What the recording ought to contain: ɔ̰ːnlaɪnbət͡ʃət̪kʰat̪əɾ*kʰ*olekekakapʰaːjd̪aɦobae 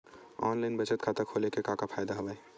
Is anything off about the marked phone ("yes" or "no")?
no